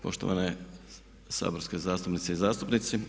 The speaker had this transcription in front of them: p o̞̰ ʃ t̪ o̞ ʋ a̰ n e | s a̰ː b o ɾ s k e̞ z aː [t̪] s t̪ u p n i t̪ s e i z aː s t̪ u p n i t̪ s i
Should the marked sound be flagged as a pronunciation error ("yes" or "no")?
yes